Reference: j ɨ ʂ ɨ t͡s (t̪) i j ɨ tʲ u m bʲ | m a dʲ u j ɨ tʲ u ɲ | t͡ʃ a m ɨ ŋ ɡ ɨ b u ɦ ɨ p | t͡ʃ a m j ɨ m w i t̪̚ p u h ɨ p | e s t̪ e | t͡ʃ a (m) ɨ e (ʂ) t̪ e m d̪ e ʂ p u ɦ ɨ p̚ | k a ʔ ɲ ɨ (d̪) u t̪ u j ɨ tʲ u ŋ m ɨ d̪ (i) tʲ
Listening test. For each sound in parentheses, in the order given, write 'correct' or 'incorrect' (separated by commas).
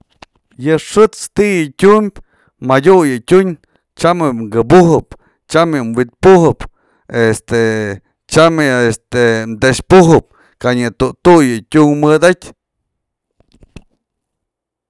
correct, correct, incorrect, incorrect, incorrect